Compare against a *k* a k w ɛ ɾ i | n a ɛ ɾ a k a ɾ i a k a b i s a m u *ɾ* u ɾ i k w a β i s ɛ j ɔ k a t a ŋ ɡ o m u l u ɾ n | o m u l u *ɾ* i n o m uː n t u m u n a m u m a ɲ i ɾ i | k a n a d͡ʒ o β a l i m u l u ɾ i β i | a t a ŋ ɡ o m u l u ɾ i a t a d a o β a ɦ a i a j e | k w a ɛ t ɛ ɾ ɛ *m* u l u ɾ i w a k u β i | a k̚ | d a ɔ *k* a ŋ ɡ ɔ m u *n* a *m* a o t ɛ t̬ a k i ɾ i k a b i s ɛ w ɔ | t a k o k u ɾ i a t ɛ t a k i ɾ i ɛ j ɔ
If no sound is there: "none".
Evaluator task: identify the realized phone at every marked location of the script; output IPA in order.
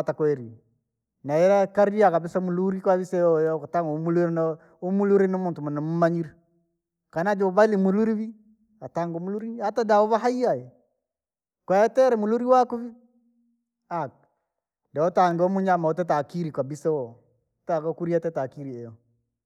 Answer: t, l, ɾ, m, t, ɲ, m

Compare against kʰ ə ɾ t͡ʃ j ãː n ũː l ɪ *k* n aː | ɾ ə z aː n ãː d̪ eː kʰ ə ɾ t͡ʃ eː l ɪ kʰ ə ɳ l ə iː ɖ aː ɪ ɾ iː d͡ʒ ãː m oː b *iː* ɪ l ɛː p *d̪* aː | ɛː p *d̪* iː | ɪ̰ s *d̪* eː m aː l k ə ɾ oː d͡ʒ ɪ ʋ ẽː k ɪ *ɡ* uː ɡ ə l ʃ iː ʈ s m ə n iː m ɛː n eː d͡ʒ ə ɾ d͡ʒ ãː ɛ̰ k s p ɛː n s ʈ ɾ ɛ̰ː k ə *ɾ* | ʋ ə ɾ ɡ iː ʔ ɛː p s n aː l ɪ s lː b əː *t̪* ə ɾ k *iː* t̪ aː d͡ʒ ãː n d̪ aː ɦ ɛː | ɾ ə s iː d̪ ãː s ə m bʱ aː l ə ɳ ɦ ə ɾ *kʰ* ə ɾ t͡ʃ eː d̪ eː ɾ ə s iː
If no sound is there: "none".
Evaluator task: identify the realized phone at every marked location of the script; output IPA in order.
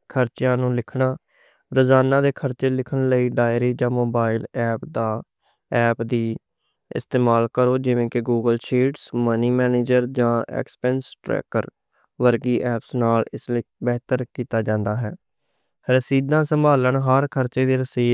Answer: kʰ, aː, d̪, d̪, t̪, ɡ, ɾ, t̪, iː, kʰ

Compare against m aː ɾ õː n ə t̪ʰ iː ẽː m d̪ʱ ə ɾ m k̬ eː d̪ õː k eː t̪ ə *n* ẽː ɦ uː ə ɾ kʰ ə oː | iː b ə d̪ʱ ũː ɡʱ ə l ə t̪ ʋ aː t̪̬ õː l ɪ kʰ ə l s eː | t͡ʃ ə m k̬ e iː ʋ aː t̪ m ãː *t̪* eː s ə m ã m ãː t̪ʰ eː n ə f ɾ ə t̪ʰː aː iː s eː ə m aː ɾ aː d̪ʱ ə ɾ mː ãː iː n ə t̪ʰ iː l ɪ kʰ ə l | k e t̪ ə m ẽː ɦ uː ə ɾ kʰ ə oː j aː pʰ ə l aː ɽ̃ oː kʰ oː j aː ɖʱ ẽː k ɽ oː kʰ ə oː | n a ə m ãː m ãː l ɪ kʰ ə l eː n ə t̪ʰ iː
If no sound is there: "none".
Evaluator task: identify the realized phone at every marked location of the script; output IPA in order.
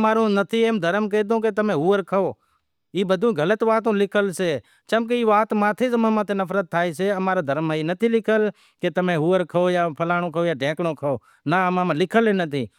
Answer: m, t̪ʰ

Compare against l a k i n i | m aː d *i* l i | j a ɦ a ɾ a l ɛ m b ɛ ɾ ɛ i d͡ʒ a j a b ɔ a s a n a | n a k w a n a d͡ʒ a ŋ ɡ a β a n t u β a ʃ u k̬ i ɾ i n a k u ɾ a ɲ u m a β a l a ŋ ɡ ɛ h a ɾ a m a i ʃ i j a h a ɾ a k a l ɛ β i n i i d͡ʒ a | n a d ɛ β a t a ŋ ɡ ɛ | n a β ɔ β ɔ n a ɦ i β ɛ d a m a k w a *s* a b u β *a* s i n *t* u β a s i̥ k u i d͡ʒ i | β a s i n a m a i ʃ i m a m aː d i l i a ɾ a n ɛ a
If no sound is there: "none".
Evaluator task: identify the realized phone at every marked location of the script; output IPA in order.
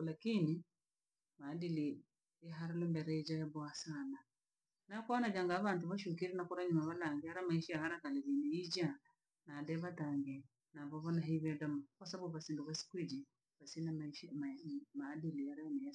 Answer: i, s, a, d

